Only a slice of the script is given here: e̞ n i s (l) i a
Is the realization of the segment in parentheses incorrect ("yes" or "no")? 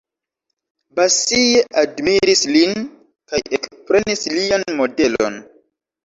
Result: no